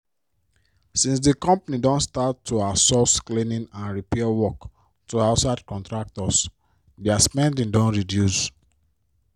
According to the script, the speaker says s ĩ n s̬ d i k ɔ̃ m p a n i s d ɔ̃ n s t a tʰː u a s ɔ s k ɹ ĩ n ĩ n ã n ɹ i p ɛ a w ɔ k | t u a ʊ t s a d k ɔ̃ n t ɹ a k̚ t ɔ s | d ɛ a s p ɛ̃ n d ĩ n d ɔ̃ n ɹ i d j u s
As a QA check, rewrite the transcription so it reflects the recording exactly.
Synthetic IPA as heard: s ĩ n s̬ d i k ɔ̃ m p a n i d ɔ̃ n s t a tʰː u a s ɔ s k l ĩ n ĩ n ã n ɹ i p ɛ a w ɔ k | t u a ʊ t s a d k ɔ̃ n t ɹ a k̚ t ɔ s | d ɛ a s p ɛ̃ n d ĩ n d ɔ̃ n ɹ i d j u s